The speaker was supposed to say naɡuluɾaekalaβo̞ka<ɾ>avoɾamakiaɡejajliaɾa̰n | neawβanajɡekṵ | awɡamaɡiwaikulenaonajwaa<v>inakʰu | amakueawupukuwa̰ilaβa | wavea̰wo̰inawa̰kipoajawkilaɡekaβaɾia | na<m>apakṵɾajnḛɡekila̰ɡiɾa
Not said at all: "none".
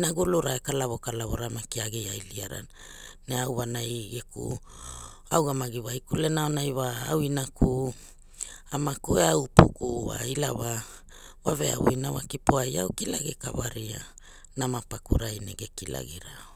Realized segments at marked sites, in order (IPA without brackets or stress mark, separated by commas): l, w, m